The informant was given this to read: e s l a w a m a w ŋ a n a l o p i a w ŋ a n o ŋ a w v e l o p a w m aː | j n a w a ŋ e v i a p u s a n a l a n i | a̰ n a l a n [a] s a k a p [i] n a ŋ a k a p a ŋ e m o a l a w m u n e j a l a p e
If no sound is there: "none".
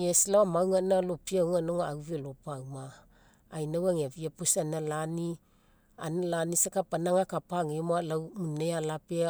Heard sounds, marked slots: i, a

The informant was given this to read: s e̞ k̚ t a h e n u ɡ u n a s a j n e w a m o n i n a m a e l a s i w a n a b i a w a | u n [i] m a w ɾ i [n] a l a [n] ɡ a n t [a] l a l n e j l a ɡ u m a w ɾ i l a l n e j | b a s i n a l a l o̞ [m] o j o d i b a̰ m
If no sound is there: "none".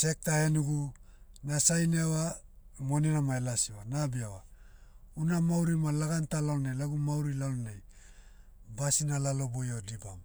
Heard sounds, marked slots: a, m, none, a, b

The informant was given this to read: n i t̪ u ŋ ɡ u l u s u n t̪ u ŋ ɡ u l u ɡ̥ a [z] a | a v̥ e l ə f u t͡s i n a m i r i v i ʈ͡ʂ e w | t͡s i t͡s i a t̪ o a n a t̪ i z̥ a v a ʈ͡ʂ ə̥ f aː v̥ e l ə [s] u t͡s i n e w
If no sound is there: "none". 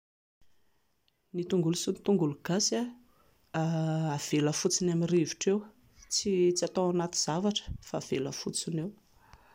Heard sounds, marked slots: s, f

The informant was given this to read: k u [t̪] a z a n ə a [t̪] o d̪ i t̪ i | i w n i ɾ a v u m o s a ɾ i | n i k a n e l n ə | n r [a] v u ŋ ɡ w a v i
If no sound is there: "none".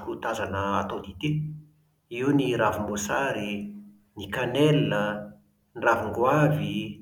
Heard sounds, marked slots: t̪, t̪, a

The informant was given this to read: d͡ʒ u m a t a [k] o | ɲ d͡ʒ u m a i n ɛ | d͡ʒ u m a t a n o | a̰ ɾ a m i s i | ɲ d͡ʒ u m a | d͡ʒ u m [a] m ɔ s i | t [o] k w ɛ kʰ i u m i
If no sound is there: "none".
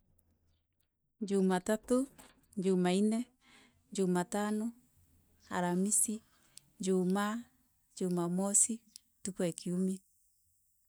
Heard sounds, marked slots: t, a, u

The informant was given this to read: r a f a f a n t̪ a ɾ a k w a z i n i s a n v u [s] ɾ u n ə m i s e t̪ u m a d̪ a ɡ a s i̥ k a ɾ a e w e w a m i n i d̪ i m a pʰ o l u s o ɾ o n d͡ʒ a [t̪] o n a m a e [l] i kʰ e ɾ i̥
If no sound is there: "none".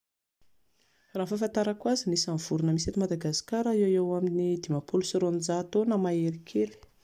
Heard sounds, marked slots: none, t̪, ɾ

